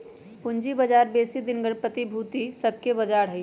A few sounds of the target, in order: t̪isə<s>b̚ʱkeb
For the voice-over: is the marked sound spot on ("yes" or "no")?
no